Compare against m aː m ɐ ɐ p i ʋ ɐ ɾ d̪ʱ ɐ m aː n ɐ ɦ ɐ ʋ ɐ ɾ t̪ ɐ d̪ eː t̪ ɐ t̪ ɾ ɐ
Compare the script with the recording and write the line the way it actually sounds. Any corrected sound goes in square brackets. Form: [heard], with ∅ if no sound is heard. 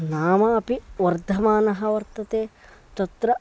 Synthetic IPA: [n] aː m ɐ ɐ p i ʋ ɐ ɾ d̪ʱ ɐ m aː n ɐ ɦ ɐ ʋ ɐ ɾ t̪ ɐ [t̪] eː t̪ ɐ t̪ ɾ ɐ